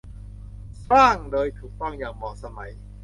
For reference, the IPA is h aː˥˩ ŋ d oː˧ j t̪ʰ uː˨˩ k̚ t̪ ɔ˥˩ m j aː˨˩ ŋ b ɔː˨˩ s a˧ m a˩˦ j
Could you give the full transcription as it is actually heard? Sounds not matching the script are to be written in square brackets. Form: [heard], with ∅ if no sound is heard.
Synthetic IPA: [s] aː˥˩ ŋ d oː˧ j t̪ʰ uː˨˩ k̚ t̪ ɔ˥˩ [ŋ] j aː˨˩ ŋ [m] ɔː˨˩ s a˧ m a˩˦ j

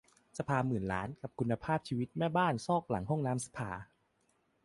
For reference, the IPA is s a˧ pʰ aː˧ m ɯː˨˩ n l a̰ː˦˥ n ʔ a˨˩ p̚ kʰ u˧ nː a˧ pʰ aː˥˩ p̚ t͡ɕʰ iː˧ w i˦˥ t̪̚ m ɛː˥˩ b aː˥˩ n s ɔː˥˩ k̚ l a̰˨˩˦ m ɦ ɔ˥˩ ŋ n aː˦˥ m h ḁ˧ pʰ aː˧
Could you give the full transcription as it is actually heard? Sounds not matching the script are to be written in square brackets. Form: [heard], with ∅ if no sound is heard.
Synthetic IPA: s a˧ pʰ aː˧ m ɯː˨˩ n l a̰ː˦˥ n [k] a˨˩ p̚ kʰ u˧ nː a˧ pʰ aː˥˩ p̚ t͡ɕʰ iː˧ w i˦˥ t̪̚ m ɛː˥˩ b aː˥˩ n s ɔː˥˩ k̚ l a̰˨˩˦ [ŋ] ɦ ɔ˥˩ ŋ n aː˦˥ m [s] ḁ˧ pʰ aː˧

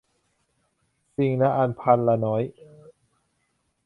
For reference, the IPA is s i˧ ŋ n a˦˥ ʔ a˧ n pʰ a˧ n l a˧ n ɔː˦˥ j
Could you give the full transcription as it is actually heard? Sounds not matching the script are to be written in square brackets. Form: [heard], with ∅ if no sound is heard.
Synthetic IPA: s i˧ ŋ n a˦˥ ʔ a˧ n pʰ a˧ n l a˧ n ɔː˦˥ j

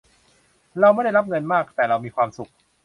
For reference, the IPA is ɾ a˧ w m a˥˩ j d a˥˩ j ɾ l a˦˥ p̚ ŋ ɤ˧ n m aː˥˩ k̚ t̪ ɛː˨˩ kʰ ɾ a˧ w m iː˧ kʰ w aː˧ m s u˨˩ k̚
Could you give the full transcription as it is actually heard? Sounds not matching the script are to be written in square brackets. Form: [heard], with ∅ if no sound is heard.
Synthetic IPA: ɾ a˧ w m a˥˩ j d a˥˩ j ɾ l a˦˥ p̚ ŋ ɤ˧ n m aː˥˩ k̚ t̪ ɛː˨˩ [∅] ɾ a˧ w m iː˧ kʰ w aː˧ m s u˨˩ k̚

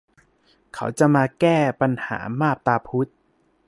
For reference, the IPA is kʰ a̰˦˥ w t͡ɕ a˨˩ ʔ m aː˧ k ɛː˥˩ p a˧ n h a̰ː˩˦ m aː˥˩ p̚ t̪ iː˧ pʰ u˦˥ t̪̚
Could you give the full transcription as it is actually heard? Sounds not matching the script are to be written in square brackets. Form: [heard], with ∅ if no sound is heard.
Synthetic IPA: kʰ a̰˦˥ w t͡ɕ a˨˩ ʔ m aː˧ k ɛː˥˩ p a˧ n h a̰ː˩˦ m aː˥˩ p̚ t̪ [aː˧] pʰ u˦˥ t̪̚

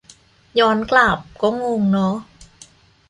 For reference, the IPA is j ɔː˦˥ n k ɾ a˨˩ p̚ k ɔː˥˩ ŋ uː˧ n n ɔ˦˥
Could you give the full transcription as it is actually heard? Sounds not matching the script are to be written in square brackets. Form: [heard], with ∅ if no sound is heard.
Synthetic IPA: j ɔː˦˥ n k [l] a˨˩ p̚ k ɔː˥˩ ŋ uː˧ [ŋ] n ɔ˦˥

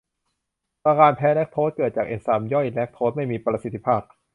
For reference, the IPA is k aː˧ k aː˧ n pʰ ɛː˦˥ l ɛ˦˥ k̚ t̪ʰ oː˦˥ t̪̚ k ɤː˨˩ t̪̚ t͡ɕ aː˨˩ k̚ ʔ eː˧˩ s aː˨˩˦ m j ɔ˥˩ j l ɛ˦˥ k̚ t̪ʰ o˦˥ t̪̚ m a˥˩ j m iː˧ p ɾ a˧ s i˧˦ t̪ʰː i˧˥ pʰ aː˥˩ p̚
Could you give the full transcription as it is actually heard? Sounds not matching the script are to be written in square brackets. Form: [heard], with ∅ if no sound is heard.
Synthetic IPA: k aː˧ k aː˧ n pʰ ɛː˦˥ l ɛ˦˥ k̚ t̪ʰ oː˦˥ t̪̚ k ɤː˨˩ t̪̚ t͡ɕ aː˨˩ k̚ ʔ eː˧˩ s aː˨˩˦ m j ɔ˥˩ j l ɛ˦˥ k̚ t̪ʰ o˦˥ t̪̚ m a˥˩ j m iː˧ p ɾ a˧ s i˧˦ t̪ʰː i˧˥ pʰ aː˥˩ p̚

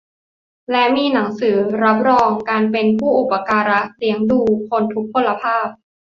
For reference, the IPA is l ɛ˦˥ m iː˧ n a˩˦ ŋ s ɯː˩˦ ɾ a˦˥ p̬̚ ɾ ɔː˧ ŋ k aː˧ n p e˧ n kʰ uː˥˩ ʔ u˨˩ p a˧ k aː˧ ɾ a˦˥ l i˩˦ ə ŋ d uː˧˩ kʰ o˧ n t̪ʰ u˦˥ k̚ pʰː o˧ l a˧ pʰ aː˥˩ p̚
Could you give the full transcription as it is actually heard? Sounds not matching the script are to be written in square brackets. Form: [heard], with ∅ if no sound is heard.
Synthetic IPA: l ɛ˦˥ m iː˧ n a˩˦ ŋ s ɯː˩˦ ɾ a˦˥ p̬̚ ɾ ɔː˧ ŋ k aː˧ n p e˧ n [pʰ] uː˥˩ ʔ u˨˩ p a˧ k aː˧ ɾ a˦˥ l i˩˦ ə ŋ d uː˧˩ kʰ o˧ n t̪ʰ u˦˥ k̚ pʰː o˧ l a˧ pʰ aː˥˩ p̚

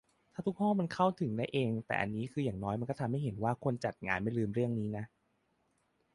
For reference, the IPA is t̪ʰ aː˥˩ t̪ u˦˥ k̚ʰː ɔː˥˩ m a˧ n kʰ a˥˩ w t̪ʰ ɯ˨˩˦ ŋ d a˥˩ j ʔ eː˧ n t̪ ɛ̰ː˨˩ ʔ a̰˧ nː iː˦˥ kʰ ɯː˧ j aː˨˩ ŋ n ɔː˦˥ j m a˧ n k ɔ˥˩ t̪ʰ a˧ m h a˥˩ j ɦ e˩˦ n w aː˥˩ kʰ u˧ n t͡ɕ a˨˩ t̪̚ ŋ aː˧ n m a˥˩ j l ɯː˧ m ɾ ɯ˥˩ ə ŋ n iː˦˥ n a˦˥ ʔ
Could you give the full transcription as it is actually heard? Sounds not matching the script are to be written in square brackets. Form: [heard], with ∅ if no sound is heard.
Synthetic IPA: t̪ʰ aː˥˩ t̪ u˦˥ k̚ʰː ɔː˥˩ m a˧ n kʰ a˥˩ w t̪ʰ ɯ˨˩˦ ŋ d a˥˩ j ʔ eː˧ [ŋ] t̪ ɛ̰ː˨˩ ʔ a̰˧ nː iː˦˥ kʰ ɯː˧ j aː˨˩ ŋ n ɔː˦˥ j m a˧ n k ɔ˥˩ t̪ʰ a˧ m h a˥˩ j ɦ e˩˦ n w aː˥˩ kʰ [o˧] n t͡ɕ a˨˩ t̪̚ ŋ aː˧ n m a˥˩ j l ɯː˧ m ɾ ɯ˥˩ ə ŋ n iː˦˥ n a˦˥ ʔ

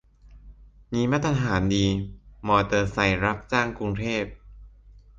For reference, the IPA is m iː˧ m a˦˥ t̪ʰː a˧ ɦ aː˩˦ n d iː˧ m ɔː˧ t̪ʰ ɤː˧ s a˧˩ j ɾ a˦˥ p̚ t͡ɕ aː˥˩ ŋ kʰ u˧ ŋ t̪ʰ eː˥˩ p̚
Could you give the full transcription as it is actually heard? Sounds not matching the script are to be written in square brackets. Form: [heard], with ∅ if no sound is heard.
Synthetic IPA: m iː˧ m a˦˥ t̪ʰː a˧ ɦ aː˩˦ n d iː˧ m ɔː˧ [t̪] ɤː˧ s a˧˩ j ɾ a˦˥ p̚ t͡ɕ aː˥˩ ŋ [k] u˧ ŋ t̪ʰ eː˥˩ p̚

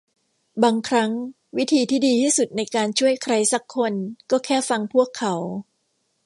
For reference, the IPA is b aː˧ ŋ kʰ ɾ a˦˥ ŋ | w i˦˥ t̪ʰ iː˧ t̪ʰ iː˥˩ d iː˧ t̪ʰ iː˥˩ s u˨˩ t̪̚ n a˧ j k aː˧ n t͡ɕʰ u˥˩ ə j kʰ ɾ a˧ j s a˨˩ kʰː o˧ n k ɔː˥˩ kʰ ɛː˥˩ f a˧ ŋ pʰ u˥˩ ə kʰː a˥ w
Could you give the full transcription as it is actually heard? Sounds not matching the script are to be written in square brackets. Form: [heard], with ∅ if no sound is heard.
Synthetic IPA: b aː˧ ŋ kʰ ɾ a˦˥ ŋ | w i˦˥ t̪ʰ iː˧ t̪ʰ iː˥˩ d iː˧ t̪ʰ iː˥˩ s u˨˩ t̪̚ n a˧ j k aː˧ n t͡ɕʰ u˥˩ ə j kʰ ɾ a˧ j s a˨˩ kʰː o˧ n k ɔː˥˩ kʰ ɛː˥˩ f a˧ ŋ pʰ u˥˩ ə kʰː [a˩˦] w

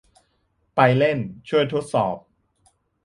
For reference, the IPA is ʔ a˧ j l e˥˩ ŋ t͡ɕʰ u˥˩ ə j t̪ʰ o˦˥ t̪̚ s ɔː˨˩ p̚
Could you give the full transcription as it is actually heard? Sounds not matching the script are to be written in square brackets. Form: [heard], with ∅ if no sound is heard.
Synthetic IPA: [p] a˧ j l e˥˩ [n] t͡ɕʰ u˥˩ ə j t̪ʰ o˦˥ t̪̚ s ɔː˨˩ p̚

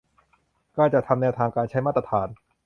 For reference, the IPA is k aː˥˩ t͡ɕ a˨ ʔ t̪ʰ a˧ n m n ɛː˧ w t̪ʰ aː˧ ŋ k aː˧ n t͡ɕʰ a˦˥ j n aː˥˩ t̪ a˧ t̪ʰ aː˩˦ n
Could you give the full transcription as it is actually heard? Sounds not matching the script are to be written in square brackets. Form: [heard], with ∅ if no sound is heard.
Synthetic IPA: k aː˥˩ t͡ɕ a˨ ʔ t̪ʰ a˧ [∅] m n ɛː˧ w t̪ʰ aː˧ ŋ k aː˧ n t͡ɕʰ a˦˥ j [m] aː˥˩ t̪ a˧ t̪ʰ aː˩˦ n

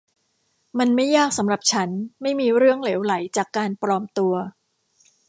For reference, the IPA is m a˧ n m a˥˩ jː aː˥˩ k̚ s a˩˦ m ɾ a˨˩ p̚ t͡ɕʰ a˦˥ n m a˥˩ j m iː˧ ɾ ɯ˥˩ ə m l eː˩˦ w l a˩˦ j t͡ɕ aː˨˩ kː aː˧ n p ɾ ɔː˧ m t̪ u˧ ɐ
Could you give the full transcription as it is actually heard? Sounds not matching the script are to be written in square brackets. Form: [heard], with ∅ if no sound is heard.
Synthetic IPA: m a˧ n m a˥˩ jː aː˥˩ k̚ s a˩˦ m ɾ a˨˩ p̚ t͡ɕʰ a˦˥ n m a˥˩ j m iː˧ ɾ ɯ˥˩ ə [ŋ] l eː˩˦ w l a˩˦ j t͡ɕ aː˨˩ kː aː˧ n p ɾ ɔː˧ m t̪ u˧ ɐ

